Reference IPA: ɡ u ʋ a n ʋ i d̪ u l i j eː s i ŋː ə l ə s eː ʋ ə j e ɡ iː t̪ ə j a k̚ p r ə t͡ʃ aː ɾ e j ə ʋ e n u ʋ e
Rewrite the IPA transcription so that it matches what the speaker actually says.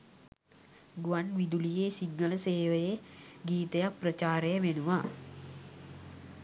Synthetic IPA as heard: ɡ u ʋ a n ʋ i d̪ u l i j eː s i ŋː ə l ə s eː ʋ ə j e ɡ iː t̪ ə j a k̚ p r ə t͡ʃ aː ɾ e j ə ʋ e n u ʋ a